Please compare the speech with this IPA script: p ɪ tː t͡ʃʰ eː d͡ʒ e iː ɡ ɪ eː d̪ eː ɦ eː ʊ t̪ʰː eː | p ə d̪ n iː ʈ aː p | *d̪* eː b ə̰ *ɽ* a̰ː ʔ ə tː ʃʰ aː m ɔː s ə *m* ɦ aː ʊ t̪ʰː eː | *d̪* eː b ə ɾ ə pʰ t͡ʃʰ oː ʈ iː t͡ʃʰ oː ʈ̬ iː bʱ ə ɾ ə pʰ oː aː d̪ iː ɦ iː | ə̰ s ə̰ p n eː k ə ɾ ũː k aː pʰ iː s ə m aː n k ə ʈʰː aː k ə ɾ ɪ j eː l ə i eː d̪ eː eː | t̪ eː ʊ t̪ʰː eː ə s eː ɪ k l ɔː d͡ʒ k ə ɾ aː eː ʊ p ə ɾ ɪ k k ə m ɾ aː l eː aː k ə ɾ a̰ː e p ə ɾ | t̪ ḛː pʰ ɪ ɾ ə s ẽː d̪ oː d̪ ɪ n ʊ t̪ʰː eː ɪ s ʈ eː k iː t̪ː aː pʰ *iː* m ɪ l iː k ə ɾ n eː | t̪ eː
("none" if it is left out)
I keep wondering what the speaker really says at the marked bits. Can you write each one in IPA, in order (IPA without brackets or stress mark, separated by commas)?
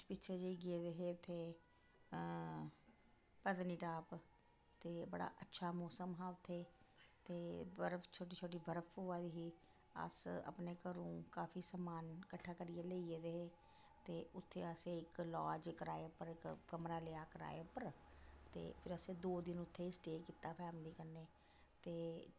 t̪, ɽ, m, t̪, ɛː